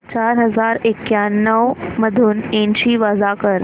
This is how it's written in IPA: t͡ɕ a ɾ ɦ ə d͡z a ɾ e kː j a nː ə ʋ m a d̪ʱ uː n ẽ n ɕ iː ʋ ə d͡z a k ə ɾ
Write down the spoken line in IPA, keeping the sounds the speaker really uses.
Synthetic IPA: t͡ɕ a ɾ ɦ ə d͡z a ɾ e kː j a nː ə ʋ m ə d̪ʱ uː n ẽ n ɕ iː ʋ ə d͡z a k ə ɾ